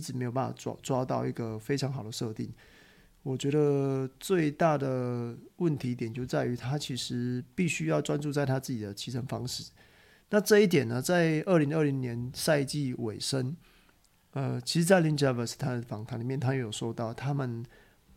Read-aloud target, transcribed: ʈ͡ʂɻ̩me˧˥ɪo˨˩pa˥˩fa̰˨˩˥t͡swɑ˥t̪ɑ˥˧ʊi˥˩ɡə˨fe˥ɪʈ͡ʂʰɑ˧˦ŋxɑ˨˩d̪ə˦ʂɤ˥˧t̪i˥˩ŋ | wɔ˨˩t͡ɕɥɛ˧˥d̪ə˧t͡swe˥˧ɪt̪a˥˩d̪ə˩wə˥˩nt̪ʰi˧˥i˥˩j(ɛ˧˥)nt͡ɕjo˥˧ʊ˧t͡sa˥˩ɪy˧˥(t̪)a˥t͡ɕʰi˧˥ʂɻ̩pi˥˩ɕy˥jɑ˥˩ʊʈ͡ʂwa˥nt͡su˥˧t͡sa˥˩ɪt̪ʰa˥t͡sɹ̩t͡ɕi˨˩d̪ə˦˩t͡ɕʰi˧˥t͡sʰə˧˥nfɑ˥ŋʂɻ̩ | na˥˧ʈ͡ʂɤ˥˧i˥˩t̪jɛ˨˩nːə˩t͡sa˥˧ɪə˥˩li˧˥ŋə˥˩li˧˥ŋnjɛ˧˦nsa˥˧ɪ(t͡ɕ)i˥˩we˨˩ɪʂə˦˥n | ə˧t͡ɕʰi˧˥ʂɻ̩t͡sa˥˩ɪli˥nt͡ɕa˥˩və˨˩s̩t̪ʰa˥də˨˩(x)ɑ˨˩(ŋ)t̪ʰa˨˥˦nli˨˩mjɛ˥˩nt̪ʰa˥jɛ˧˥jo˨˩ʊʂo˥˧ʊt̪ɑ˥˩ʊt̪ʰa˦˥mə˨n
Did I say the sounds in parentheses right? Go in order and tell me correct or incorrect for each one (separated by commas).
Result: incorrect, incorrect, correct, incorrect, correct